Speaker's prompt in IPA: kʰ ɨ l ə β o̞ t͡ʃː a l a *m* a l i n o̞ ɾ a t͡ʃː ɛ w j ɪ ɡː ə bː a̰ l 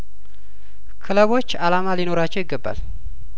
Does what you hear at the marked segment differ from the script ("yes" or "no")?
no